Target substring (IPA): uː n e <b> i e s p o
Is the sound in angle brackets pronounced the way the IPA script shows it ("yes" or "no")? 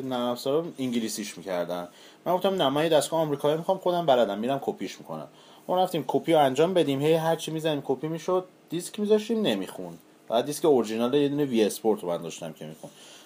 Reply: no